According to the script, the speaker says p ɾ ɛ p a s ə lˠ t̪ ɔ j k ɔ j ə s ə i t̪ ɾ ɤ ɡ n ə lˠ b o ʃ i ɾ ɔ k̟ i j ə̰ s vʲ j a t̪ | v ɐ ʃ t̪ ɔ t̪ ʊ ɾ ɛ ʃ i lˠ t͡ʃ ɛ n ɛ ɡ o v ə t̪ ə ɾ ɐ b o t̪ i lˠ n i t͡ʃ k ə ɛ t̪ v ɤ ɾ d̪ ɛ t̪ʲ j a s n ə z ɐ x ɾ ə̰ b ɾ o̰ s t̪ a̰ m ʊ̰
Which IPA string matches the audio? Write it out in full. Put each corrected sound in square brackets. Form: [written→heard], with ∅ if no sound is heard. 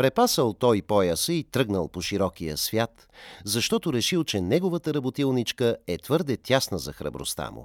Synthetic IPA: p ɾ ɛ p a s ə lˠ t̪ ɔ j [k→p] ɔ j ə s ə i t̪ ɾ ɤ ɡ n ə lˠ [b→p] o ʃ i ɾ ɔ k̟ i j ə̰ s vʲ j a t̪ | [v→z] ɐ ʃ t̪ ɔ t̪ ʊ ɾ ɛ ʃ i lˠ t͡ʃ ɛ n ɛ ɡ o v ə t̪ ə ɾ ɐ b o t̪ i lˠ n i t͡ʃ k ə ɛ t̪ v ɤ ɾ d̪ ɛ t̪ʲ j a s n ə z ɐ x ɾ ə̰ b ɾ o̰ s t̪ a̰ m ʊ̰